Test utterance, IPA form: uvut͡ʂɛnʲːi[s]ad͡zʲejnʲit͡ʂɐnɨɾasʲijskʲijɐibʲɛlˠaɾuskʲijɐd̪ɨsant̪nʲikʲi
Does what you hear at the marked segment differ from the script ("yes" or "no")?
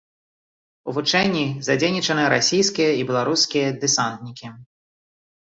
yes